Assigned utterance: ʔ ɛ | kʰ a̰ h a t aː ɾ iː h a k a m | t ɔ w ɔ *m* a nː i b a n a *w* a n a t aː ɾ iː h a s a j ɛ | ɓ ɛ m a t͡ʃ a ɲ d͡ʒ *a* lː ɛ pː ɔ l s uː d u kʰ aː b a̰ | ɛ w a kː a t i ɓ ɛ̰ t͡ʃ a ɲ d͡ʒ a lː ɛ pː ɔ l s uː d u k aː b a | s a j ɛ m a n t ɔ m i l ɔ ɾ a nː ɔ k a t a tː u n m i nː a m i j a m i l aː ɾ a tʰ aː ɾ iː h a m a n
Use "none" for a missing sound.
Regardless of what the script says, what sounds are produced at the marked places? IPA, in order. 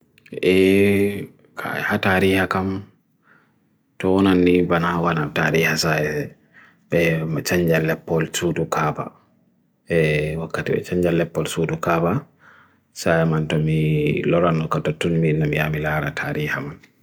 n, w, a

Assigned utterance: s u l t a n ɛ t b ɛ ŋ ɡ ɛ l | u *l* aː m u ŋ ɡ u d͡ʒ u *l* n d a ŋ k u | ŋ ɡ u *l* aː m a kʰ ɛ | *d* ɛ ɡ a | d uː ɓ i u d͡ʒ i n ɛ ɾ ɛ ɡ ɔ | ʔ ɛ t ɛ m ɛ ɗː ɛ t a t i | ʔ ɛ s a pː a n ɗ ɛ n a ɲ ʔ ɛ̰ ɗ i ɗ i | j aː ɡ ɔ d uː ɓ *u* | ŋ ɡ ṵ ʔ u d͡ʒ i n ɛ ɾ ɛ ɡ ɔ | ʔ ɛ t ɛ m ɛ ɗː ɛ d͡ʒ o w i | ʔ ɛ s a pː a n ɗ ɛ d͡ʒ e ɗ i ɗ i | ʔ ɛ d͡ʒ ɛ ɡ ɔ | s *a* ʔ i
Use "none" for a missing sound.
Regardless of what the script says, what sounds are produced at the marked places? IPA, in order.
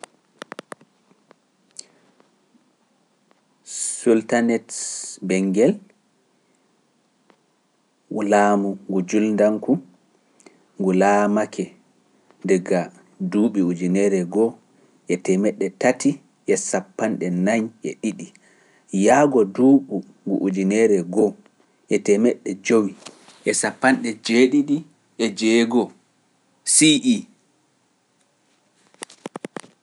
l, l, l, d, u, i

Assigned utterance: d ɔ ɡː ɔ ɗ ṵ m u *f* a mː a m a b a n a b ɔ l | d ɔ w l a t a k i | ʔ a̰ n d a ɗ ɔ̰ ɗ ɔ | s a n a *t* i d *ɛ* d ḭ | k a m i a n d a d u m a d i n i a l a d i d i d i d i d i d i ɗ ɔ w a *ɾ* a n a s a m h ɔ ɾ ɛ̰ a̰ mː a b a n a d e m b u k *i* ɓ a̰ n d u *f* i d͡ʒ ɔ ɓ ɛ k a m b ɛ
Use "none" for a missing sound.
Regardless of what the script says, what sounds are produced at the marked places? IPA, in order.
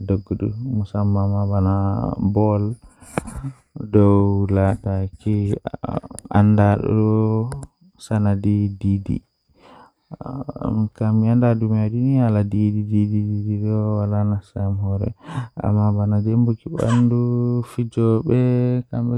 s, d, i, l, i, f

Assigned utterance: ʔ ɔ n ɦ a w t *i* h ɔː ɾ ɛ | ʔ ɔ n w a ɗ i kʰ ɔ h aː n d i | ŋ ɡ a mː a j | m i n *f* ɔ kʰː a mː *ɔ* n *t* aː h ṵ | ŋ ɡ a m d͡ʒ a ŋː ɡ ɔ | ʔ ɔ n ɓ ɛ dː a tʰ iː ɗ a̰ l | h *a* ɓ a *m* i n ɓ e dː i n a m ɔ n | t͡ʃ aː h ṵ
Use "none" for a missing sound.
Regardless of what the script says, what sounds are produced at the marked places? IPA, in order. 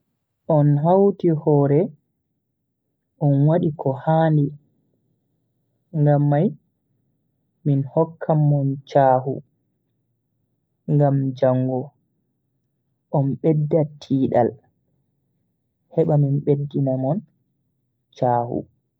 i, h, ɔ, t͡ʃ, ɛ, m

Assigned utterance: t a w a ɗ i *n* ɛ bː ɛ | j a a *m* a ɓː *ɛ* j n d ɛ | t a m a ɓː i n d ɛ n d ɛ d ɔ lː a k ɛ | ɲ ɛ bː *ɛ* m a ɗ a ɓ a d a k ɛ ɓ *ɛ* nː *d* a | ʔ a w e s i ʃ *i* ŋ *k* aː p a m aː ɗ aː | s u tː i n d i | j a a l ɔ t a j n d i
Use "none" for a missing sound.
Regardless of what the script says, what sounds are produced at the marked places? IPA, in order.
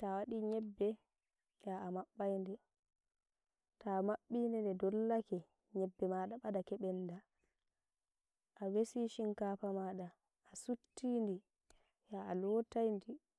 ɲ, m, a, ɛ, ɛ, d, i, k

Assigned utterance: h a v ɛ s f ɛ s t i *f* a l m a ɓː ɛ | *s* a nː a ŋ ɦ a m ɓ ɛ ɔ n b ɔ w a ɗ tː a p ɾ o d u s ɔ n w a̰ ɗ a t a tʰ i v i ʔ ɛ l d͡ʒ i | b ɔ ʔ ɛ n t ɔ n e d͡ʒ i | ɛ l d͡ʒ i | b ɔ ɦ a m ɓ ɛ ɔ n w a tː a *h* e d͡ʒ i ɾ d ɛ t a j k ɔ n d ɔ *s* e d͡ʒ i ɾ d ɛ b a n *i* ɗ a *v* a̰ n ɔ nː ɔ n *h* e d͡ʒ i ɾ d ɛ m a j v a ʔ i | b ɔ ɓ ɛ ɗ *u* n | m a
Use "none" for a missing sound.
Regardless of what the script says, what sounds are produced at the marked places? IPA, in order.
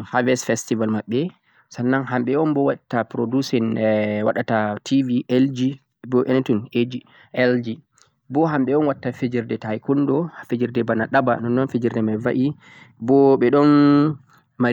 v, s, f, f, a, b, f, ɔ

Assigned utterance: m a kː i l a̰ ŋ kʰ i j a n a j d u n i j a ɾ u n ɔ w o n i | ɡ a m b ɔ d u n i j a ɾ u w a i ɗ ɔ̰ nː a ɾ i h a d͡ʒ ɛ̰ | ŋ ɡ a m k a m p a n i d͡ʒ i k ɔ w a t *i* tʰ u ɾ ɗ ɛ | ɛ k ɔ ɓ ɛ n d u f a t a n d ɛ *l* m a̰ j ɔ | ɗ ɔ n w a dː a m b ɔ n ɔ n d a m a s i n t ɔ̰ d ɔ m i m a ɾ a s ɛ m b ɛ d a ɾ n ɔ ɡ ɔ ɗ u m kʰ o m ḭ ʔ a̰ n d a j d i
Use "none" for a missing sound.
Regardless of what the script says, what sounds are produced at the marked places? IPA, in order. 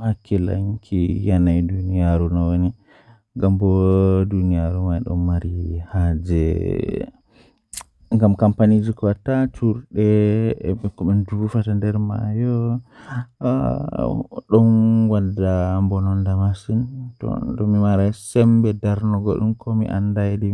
a, ɾ

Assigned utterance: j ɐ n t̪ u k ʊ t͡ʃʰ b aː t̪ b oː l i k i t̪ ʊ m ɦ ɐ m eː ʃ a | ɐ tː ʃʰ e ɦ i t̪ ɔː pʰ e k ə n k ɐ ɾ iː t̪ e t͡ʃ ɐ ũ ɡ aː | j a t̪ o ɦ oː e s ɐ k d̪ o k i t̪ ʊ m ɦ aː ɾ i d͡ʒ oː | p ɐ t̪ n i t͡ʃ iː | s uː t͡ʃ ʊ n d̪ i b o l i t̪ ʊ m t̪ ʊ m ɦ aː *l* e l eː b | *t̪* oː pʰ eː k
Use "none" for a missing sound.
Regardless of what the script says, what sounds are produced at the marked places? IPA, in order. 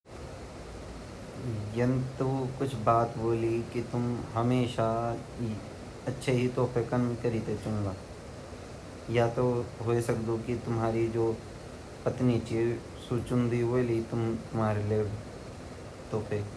ɾ, t̪

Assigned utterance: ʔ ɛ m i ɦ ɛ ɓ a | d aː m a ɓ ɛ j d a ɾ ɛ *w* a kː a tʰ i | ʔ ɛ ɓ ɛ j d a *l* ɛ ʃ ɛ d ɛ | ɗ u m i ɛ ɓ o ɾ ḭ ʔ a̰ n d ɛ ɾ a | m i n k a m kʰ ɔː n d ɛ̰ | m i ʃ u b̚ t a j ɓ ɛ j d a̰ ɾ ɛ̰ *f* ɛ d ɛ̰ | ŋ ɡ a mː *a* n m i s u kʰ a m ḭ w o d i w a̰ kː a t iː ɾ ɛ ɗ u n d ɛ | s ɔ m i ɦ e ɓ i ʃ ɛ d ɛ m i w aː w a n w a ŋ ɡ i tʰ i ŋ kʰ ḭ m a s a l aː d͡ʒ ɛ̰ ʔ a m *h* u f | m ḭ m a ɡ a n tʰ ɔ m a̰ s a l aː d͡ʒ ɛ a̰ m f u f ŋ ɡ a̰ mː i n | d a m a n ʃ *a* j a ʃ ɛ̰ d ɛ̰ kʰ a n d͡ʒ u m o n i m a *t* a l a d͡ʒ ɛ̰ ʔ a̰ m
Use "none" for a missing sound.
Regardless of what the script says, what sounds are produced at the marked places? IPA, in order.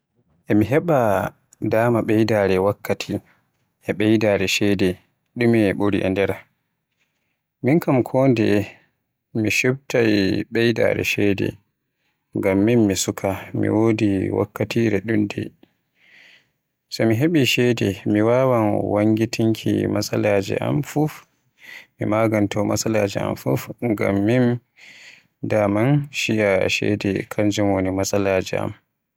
w, ɾ, ʃ, i, f, i, s

